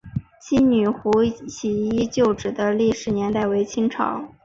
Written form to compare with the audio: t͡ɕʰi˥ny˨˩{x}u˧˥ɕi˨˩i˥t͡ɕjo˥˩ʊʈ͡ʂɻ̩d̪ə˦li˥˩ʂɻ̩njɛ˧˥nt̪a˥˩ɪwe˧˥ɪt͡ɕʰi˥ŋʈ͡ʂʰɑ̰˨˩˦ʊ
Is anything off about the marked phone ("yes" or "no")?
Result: no